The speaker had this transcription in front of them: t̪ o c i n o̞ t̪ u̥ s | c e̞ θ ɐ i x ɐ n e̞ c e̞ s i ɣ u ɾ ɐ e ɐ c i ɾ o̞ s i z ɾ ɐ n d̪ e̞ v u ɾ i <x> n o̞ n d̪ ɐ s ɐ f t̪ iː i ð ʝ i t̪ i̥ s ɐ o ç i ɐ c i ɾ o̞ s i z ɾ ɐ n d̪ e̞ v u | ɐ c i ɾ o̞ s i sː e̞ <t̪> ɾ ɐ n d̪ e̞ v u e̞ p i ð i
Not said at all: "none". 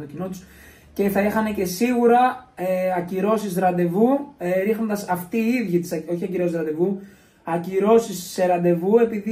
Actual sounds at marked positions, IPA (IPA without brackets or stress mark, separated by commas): x, none